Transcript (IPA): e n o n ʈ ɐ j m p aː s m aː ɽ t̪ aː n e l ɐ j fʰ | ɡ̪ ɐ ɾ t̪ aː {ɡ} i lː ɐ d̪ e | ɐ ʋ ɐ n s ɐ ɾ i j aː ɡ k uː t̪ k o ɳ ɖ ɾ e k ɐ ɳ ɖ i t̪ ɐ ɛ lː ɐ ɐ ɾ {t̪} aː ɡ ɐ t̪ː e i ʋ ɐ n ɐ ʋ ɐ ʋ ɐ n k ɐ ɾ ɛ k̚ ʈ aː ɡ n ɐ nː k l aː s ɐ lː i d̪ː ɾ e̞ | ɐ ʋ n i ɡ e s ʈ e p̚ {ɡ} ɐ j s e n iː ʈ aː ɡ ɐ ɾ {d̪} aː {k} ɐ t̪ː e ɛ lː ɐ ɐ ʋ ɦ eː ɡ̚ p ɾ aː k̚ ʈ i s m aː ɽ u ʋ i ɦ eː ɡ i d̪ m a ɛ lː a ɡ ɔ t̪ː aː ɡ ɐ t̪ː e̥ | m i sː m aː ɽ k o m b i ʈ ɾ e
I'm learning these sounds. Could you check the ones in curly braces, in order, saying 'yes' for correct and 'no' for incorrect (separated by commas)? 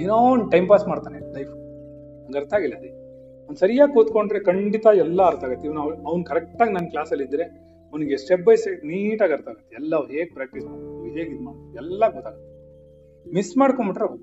yes, yes, no, no, no